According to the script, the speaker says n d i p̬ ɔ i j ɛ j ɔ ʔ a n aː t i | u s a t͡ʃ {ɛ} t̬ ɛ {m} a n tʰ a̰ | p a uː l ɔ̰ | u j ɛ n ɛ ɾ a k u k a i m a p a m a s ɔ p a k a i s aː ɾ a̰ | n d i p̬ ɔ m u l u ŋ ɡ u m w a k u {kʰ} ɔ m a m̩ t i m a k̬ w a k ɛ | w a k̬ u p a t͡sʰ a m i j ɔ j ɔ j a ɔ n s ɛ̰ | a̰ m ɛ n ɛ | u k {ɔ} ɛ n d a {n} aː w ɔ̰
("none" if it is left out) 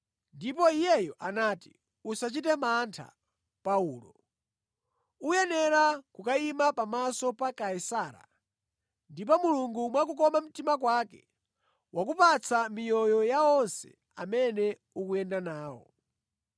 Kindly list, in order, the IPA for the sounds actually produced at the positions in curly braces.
i, m, k, u, n

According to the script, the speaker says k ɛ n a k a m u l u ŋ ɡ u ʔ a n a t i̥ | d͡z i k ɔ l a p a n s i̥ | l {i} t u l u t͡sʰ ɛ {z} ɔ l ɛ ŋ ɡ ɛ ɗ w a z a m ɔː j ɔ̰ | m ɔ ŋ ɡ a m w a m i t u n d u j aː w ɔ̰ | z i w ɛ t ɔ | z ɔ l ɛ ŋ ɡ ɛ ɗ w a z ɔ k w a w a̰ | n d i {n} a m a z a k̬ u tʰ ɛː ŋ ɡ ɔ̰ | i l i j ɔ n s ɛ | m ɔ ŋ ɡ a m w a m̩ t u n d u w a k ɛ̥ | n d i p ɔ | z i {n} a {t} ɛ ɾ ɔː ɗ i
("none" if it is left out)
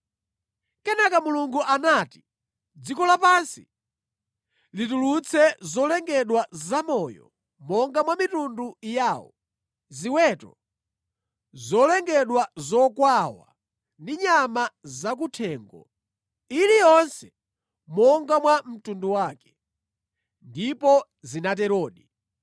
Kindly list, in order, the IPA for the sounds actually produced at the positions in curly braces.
i, z, ɲ, n, t

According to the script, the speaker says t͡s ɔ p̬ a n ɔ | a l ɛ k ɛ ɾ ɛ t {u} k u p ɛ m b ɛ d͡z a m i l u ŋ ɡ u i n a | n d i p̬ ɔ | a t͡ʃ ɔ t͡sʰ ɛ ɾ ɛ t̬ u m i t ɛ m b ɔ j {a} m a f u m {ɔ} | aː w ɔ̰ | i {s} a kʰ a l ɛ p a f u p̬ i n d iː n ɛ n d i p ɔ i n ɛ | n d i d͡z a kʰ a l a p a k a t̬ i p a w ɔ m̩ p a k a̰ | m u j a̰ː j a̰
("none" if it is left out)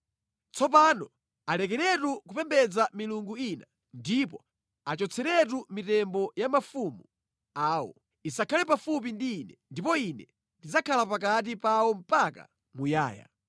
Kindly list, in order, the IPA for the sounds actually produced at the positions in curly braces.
u, a, u, s

